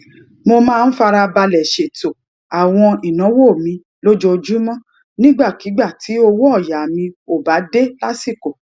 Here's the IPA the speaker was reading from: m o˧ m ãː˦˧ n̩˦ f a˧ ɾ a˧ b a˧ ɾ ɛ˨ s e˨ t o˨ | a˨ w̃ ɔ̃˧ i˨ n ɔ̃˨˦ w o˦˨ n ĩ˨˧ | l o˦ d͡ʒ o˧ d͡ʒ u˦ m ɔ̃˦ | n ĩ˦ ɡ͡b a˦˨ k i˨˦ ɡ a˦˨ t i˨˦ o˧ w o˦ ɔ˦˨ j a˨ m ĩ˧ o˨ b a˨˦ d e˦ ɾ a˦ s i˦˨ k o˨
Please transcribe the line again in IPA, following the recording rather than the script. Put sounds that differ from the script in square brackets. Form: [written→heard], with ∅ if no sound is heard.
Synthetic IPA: m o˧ m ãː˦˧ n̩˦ f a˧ ɾ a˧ b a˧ [ɾ→l] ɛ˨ [s→ʃ] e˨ t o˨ | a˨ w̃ ɔ̃˧ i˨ n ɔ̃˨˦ w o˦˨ [n→m] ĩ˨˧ | l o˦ d͡ʒ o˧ d͡ʒ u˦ m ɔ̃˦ | n ĩ˦ ɡ͡b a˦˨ k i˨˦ [ɡ→ɡ͡b] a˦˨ t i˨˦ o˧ w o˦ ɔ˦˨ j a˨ m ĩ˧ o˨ b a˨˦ d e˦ [ɾ→l] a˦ s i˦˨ k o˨